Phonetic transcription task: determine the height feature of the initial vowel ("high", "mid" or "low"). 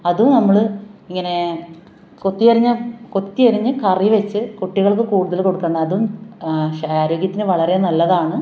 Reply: low